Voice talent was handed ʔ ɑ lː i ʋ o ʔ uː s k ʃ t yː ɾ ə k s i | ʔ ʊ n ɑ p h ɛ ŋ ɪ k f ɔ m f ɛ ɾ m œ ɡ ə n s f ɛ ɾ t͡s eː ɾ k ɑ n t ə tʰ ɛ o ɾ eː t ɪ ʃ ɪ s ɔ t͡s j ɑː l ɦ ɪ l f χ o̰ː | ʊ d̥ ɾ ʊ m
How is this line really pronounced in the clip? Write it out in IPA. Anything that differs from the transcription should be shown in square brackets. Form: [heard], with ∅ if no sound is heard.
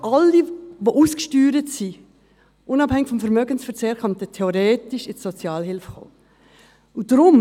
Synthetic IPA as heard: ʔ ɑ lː i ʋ o ʔ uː s k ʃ t yː ɾ ə [t] s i | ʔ ʊ n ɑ p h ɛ ŋ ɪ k f ɔ m f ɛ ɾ m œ ɡ ə n s f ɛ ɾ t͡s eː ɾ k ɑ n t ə tʰ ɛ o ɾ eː t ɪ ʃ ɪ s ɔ t͡s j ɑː l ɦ ɪ l f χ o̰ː | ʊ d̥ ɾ ʊ m

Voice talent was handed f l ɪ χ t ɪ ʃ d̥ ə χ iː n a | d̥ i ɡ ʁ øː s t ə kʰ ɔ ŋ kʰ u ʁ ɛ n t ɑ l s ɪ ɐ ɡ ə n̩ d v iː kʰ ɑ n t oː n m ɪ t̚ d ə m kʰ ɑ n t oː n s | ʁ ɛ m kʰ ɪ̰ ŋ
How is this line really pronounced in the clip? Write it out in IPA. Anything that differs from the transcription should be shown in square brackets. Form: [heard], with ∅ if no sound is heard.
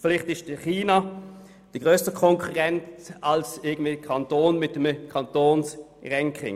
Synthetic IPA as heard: f l ɪ χ t ɪ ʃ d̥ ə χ iː n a | d̥ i ɡ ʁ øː s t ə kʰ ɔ ŋ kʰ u ʁ ɛ n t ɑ l s ɪ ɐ ɡ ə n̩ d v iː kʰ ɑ n t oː n m ɪ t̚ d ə m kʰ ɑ n t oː n s | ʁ ɛ [ŋ] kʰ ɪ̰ ŋ

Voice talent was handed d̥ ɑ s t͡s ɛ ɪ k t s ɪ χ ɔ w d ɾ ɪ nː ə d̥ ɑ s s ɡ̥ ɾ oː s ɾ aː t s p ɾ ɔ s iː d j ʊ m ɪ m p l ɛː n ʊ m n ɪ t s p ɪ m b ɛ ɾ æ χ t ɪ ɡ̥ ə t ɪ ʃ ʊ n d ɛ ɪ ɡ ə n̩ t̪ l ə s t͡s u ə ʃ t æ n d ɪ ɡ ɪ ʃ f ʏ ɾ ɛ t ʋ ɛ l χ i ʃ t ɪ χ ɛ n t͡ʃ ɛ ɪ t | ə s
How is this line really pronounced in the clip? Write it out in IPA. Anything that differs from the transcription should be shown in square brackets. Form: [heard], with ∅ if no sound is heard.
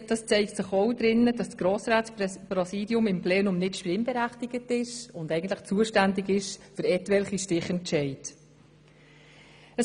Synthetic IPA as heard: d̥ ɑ s t͡s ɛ ɪ k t s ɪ χ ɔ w d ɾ ɪ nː ə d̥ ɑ s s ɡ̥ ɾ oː s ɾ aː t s p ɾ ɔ s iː d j ʊ m ɪ m p l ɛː n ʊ m n ɪ t [ʃ] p ɪ m b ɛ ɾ æ χ t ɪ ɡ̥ ə t ɪ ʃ ʊ n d ɛ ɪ ɡ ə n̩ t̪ l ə [χ] t͡s u ə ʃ t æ n d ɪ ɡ ɪ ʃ f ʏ ɾ ɛ t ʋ ɛ l χ i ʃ t ɪ χ ɛ n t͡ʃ ɛ ɪ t | ə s

